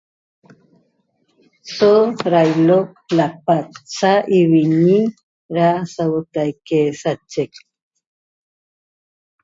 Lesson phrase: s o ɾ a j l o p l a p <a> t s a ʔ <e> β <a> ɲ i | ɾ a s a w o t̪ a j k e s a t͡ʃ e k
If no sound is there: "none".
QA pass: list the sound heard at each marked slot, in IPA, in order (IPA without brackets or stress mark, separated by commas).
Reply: a, i, i